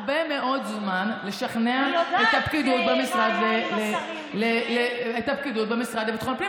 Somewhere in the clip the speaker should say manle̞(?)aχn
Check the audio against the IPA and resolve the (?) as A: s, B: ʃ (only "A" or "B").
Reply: B